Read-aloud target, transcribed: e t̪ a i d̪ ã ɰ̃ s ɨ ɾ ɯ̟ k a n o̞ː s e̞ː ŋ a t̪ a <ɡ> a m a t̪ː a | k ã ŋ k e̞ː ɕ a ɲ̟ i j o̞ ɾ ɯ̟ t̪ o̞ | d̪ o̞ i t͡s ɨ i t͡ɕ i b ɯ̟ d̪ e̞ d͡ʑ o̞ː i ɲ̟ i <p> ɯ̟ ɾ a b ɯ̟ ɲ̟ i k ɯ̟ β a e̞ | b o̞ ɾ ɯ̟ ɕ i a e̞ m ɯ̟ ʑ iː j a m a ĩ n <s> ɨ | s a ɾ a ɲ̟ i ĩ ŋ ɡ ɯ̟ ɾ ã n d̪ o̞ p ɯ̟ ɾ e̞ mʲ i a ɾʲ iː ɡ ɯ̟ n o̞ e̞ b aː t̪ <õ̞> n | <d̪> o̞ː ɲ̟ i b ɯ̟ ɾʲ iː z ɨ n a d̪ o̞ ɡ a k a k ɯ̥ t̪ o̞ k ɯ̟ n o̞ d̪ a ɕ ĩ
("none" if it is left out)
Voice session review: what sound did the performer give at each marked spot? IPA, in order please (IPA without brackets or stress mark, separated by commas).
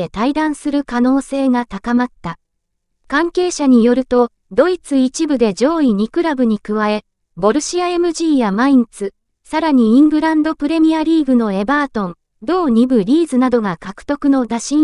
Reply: k, k, t͡s, õ̞, d̪